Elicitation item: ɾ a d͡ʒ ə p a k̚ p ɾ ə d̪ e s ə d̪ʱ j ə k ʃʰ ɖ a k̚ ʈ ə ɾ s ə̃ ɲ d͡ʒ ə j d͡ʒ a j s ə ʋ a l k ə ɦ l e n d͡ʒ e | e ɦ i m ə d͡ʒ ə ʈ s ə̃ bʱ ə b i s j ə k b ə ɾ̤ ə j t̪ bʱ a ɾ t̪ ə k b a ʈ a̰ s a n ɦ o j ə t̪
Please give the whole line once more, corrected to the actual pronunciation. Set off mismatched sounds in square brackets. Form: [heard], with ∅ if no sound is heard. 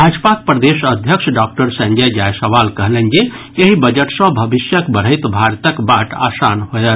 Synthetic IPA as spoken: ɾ a d͡ʒ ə p a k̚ p ɾ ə d̪ e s ə d̪ʱ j ə k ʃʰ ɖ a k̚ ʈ ə ɾ s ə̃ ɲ d͡ʒ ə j d͡ʒ a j s ə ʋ a l k ə ɦ l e n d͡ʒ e | e ɦ i [b] ə d͡ʒ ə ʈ s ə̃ bʱ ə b i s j ə k b ə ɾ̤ ə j t̪ bʱ a ɾ t̪ ə k b a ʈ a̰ s a n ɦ o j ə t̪

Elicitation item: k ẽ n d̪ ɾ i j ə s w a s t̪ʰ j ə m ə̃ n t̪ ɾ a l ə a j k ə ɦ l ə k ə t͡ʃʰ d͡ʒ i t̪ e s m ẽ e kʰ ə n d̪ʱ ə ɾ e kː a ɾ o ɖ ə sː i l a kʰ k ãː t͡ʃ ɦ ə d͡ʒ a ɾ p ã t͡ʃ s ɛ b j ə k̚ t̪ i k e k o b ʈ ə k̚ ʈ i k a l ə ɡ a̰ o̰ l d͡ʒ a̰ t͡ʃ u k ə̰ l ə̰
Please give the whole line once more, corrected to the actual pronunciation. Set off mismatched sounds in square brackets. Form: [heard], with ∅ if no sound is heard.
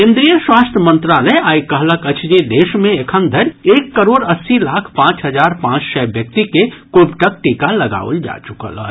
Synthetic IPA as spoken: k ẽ n d̪ ɾ i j ə s w a s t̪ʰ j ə m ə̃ n t̪ ɾ a l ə a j k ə ɦ l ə k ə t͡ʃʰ d͡ʒ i [d̪] e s m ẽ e kʰ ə n d̪ʱ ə ɾ e kː [ə] ɾ o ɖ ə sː i l a kʰ [p] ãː t͡ʃ ɦ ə d͡ʒ a ɾ p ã t͡ʃ s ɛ b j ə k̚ t̪ i k e k o b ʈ ə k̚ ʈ i k a l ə ɡ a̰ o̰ l d͡ʒ a̰ t͡ʃ u k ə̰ l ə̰

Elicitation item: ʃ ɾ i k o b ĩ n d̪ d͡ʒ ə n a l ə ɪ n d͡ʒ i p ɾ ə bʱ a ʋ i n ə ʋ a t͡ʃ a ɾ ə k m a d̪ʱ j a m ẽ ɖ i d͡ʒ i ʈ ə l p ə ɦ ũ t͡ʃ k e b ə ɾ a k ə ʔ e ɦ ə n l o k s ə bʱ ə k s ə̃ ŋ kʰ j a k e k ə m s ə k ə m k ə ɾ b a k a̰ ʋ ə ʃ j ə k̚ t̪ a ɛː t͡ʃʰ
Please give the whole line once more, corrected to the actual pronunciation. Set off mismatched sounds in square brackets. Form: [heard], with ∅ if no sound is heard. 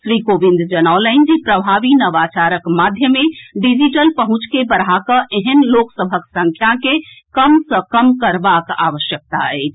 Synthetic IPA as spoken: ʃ ɾ i k o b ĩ n d̪ d͡ʒ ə n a l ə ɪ n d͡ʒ i p ɾ ə bʱ a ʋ i n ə ʋ a t͡ʃ a ɾ ə k m a d̪ʱ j [ə] m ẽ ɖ i d͡ʒ i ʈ ə l p ə ɦ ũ t͡ʃ k e b ə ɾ a k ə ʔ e ɦ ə n l o k s ə bʱ ə k s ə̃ ŋ kʰ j a k e k ə m s ə k ə m k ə ɾ b a k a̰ ʋ ə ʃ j ə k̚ t̪ a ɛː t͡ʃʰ

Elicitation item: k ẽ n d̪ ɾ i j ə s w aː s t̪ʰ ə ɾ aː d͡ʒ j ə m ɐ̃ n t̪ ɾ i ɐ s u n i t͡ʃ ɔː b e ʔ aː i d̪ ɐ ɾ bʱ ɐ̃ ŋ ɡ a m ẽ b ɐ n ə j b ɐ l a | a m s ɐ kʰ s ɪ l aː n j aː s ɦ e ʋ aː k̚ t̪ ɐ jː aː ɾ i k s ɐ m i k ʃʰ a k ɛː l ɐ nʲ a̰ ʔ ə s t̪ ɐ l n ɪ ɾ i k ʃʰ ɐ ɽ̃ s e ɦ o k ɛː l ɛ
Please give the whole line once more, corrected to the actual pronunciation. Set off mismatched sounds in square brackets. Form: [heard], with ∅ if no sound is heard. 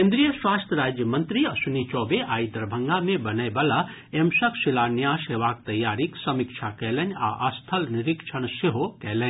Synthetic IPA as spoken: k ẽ n d̪ ɾ i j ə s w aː s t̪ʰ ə ɾ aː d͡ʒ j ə m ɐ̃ n t̪ ɾ i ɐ s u n i t͡ʃ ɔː b e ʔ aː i d̪ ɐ ɾ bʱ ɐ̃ ŋ ɡ a m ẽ b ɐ n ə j b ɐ l a | [e] m s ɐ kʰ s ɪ l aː n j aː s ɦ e ʋ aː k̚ t̪ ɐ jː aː ɾ i k s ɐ m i k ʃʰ a k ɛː l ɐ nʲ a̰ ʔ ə s [t̪ʰ] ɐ l n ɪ ɾ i k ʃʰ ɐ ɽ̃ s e ɦ o k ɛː l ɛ

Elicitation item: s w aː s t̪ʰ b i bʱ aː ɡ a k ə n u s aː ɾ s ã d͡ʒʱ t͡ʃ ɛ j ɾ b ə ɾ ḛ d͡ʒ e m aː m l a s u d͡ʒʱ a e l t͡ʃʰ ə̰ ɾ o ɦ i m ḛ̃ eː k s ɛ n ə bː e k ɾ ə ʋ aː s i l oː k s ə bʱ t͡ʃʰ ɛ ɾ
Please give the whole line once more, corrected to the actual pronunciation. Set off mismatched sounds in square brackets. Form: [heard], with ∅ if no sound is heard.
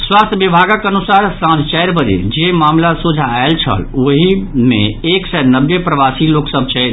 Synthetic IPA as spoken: s w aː s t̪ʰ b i bʱ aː ɡ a k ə n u s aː ɾ s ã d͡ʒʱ t͡ʃ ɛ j ɾ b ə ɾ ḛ d͡ʒ e m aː m l a s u d͡ʒʱ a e l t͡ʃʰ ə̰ [l] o ɦ i m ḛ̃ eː k s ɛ n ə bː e [p] ɾ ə ʋ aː s i l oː k s ə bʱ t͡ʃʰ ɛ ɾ

